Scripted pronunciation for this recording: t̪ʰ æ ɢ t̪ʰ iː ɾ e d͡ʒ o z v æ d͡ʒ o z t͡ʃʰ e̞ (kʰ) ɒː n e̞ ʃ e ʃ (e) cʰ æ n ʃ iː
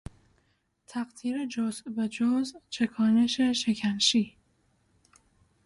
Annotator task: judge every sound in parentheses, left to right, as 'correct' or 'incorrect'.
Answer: correct, correct

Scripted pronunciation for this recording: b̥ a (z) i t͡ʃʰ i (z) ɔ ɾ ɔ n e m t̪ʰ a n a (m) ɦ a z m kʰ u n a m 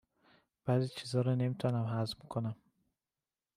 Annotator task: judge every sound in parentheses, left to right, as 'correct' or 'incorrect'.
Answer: correct, correct, correct

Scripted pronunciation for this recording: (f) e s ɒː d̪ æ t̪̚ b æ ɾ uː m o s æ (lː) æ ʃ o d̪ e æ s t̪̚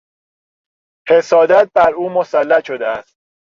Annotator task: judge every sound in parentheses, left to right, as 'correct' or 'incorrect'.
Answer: incorrect: h, correct

